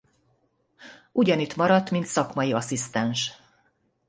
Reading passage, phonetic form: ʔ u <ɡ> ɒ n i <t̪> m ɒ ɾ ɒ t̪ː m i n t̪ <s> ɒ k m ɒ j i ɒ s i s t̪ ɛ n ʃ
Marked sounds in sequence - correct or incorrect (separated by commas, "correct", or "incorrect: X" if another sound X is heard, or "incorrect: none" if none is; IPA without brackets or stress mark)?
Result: incorrect: ɟ, correct, correct